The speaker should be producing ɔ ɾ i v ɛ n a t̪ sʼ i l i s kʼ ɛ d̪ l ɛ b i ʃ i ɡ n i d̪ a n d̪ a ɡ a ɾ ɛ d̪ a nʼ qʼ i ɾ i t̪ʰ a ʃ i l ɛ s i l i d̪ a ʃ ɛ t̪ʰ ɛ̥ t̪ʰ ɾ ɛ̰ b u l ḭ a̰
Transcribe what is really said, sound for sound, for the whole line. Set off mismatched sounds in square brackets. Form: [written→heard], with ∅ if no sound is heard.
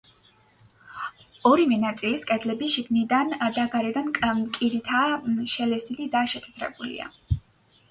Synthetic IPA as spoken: ɔ ɾ i v ɛ n a t̪ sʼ i l i s kʼ ɛ d̪ l ɛ b i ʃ i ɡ n i d̪ a n d̪ a ɡ a ɾ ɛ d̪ a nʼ [qʼ→kʼ] i ɾ i t̪ʰ a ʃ [i→ɛ] l ɛ s i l i d̪ a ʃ ɛ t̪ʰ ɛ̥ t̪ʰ ɾ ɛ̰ b u l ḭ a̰